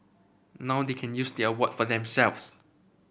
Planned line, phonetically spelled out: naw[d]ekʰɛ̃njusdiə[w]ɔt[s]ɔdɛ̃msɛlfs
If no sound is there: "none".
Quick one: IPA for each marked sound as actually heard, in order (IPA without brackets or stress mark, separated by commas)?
d, w, f